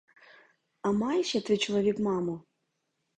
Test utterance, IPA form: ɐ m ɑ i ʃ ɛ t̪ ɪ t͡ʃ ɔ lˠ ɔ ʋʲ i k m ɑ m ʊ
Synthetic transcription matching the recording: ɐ m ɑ j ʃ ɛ t̪ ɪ t͡ʃ ɔ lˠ ɔ ʋʲ i k m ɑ m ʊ